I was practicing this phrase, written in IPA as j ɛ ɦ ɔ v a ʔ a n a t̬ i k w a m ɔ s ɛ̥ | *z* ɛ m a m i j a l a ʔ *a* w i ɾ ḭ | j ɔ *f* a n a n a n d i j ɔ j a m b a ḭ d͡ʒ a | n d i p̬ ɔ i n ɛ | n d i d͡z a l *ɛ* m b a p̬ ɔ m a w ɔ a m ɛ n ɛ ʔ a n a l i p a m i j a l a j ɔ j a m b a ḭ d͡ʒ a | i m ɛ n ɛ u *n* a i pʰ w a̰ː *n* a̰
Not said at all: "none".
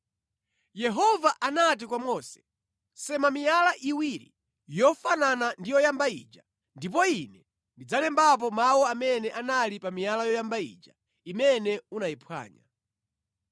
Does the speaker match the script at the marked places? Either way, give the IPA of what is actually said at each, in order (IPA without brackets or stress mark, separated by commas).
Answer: s, i, f, ɛ, n, ɲ